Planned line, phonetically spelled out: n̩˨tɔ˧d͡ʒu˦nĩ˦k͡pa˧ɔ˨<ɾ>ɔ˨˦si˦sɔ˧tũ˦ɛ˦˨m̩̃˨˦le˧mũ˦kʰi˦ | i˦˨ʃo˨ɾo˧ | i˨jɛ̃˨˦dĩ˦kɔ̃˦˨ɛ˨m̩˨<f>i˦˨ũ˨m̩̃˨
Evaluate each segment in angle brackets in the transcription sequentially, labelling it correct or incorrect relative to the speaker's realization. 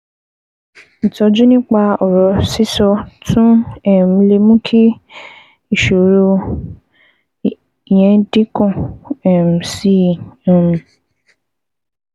correct, incorrect: s

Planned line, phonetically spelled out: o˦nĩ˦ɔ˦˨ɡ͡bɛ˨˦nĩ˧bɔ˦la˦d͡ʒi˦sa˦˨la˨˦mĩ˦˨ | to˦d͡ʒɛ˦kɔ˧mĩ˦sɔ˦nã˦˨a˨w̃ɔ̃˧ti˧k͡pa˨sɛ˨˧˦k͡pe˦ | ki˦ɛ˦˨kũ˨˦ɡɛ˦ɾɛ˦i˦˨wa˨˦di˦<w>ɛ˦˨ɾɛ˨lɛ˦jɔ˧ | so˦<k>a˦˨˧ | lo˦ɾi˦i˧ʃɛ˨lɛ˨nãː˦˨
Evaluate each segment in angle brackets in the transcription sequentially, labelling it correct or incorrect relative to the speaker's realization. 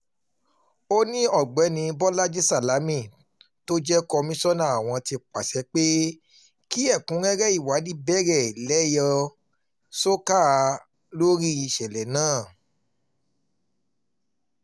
incorrect: b, correct

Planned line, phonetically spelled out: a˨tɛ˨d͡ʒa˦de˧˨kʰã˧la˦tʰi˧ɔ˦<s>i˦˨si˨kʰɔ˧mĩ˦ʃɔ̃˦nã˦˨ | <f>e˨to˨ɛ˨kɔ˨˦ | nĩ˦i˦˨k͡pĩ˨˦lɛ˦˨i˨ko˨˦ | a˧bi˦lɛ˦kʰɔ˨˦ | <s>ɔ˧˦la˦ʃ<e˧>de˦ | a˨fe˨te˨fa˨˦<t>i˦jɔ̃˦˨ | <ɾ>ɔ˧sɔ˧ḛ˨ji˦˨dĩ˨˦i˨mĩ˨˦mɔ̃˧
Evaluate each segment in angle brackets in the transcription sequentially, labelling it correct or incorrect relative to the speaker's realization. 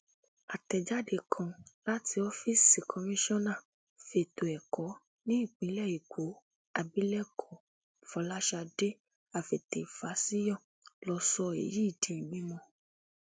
incorrect: f, correct, incorrect: f, incorrect: a˧, incorrect: s, incorrect: l

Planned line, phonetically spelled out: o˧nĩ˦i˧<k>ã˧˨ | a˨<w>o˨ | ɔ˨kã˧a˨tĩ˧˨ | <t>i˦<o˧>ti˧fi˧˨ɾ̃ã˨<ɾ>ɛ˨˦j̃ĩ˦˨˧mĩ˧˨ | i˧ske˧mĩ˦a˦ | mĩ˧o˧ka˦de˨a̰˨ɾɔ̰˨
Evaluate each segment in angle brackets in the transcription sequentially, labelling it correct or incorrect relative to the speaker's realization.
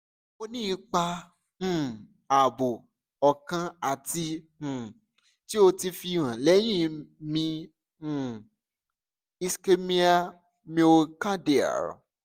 incorrect: k͡p, incorrect: b, correct, correct, incorrect: l

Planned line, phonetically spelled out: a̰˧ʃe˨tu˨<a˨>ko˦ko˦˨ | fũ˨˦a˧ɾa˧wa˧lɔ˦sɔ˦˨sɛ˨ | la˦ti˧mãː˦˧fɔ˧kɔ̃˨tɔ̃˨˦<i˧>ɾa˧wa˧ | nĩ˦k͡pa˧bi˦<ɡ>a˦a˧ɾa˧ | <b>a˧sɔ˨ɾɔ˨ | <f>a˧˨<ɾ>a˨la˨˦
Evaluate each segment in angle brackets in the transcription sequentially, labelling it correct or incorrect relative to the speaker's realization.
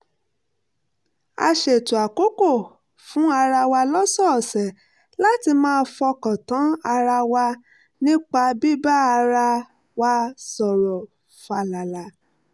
correct, incorrect: a˧, incorrect: b, incorrect: w, correct, incorrect: l

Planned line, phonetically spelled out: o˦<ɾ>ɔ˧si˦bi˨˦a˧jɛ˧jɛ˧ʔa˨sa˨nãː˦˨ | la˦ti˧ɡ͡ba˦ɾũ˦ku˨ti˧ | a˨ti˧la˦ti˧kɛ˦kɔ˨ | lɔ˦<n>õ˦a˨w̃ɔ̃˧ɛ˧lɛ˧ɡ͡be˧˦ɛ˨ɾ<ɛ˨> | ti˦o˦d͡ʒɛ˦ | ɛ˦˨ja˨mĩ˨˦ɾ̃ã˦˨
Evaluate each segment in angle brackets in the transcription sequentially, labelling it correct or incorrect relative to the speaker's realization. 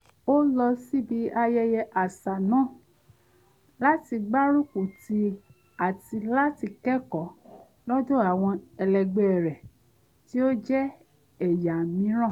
incorrect: l, incorrect: d, correct

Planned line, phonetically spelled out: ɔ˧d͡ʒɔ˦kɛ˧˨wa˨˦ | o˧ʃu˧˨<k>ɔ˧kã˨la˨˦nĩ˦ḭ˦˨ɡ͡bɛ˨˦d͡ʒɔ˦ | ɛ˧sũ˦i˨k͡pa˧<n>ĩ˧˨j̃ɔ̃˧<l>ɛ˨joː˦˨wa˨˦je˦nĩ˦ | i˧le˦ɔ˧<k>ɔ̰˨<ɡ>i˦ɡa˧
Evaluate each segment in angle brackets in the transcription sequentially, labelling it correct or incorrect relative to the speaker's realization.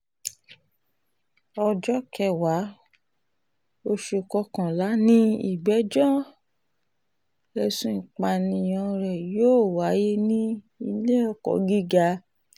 correct, correct, incorrect: ɾ, correct, correct

